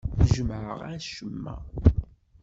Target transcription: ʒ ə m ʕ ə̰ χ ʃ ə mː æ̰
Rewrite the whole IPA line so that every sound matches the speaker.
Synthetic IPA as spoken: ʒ ə m ʕ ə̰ ʁ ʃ ə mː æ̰